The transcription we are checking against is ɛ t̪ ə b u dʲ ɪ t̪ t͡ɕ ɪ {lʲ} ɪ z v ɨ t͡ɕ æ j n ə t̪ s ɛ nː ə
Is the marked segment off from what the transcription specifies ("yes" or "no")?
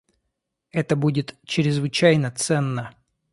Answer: yes